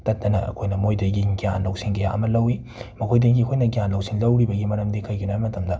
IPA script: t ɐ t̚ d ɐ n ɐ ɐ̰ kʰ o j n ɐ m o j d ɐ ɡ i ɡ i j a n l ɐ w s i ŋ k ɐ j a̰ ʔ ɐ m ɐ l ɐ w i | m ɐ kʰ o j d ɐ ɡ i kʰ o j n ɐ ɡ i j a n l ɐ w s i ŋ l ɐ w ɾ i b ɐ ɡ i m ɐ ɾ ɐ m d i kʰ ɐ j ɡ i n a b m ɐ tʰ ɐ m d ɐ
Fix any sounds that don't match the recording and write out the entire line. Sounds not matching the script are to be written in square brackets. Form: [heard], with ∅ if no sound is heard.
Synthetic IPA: t ɐ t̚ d ɐ n ɐ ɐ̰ kʰ o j n ɐ m o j d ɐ ɡ i ɡ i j a n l ɐ w s i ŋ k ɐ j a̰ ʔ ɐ m ɐ l ɐ w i | m ɐ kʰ o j d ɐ ɡ i kʰ o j n ɐ ɡ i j a n l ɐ w s i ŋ l ɐ w ɾ i b ɐ ɡ i m ɐ ɾ ɐ m d i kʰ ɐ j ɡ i n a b m ɐ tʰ ɐ m d ɐ